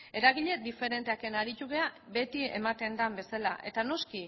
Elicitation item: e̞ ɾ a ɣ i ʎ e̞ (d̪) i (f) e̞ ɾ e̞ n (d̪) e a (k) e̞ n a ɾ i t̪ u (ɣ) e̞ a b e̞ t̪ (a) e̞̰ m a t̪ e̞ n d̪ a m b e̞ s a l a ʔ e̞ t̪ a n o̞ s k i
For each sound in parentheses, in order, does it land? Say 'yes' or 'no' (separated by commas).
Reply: yes, yes, no, yes, yes, no